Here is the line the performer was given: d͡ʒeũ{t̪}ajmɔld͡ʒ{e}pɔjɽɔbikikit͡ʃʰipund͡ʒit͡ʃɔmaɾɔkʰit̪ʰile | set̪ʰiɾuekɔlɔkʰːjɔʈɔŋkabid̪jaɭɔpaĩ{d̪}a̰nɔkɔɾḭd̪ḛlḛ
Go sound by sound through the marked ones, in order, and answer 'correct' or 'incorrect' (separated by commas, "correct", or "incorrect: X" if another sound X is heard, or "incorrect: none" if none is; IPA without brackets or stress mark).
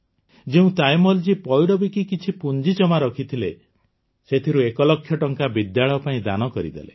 correct, incorrect: i, correct